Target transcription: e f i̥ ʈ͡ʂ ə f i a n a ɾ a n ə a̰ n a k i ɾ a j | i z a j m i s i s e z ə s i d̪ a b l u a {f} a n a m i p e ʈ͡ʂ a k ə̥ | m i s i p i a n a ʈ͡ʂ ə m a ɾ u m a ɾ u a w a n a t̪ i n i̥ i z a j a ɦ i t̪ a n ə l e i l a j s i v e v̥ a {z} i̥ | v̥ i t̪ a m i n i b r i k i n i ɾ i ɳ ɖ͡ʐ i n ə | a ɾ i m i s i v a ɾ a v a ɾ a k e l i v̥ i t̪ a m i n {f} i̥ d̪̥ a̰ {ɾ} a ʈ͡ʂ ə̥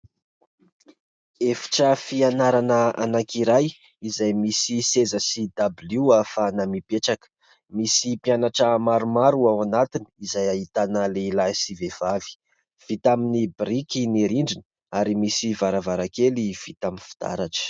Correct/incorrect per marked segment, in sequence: correct, incorrect: v, correct, correct

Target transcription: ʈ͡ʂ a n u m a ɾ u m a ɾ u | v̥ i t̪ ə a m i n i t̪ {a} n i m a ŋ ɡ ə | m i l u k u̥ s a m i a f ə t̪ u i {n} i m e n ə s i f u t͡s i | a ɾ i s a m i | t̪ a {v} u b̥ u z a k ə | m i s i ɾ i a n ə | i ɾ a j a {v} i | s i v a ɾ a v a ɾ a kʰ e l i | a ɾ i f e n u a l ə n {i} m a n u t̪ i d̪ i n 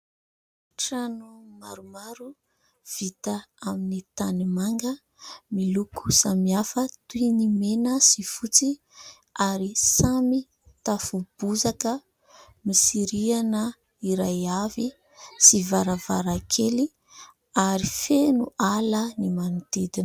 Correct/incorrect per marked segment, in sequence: correct, correct, incorrect: f, correct, correct

